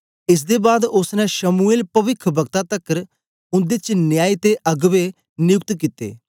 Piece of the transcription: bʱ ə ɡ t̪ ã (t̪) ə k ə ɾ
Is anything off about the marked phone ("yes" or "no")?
no